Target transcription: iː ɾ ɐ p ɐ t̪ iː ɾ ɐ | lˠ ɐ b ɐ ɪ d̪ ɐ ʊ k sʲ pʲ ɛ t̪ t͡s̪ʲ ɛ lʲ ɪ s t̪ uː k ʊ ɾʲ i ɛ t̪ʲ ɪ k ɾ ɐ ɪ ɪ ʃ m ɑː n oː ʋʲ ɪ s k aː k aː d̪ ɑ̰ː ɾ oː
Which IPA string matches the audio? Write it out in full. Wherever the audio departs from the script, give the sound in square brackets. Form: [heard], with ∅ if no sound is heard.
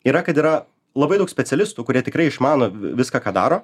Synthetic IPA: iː ɾ ɐ [k] ɐ t̪ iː ɾ ɐ | lˠ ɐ b ɐ ɪ d̪ ɐ ʊ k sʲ pʲ ɛ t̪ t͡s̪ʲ ɛ lʲ ɪ s t̪ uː k ʊ ɾʲ i ɛ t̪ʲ ɪ k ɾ ɐ ɪ ɪ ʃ m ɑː n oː ʋʲ ɪ s k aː k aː d̪ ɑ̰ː ɾ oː